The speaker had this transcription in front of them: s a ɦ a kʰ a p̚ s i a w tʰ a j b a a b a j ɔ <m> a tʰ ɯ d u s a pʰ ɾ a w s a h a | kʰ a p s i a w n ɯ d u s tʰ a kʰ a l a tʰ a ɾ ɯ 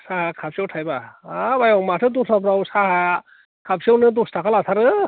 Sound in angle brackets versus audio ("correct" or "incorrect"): correct